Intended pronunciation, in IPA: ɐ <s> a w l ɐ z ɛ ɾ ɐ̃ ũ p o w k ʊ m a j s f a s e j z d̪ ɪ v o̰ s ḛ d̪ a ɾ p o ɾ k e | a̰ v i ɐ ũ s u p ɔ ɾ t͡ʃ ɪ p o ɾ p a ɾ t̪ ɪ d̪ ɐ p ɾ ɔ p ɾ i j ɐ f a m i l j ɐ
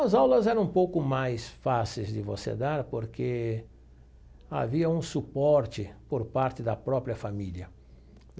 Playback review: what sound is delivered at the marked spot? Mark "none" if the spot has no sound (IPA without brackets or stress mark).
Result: z